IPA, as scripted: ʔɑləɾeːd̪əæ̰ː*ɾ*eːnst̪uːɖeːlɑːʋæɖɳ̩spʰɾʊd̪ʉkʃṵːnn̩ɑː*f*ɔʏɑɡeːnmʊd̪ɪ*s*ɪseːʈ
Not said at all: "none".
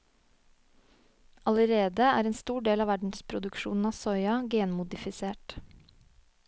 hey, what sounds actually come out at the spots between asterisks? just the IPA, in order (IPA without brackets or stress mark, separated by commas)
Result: ɾ, s, f